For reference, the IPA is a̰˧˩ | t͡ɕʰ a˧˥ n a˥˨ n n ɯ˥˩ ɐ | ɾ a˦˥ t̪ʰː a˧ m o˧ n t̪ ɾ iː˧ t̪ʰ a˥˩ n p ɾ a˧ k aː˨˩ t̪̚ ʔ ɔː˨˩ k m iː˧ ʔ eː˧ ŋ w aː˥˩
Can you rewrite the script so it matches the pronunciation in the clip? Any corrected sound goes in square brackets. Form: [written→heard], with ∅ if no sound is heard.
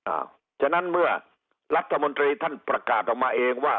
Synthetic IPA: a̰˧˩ | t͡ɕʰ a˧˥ n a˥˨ n [n→m] ɯ˥˩ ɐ | ɾ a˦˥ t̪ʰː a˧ m o˧ n t̪ ɾ iː˧ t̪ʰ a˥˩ n p ɾ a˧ k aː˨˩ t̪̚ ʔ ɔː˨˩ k m [iː˧→aː˧] ʔ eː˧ ŋ w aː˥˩